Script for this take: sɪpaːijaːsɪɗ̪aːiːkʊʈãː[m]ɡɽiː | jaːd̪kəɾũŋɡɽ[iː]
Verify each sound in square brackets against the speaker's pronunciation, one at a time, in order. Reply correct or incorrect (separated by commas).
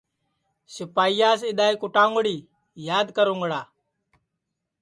incorrect, incorrect